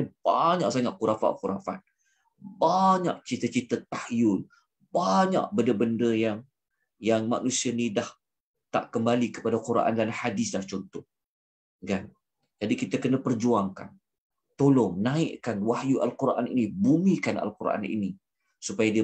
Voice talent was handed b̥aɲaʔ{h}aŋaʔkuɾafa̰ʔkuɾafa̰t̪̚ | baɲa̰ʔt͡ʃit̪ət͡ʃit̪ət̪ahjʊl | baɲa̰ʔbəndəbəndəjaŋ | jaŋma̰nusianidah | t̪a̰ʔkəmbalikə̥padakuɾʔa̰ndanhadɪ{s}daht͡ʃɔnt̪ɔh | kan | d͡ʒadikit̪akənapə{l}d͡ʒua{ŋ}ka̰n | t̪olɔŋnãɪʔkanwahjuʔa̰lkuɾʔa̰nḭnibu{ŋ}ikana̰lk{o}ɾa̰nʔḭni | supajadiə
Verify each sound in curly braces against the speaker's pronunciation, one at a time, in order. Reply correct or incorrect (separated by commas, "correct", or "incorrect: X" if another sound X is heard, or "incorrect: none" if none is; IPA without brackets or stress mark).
incorrect: s, correct, incorrect: r, correct, incorrect: m, incorrect: u